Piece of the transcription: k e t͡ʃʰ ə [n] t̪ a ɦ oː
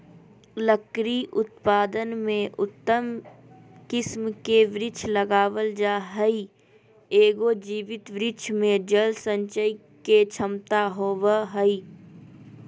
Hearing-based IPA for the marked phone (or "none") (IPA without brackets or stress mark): m